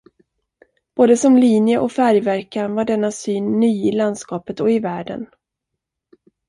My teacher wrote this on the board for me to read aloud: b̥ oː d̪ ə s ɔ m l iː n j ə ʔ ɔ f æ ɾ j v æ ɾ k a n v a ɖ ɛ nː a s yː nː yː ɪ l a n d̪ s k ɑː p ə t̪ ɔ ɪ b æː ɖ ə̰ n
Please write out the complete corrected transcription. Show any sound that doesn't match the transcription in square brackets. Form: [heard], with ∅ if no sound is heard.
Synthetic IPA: b̥ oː d̪ ə s ɔ m l iː n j ə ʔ ɔ f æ ɾ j v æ ɾ k a n v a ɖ ɛ nː a s yː nː yː ɪ l a n d̪ s k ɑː p ə t̪ ɔ ɪ [v] æː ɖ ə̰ n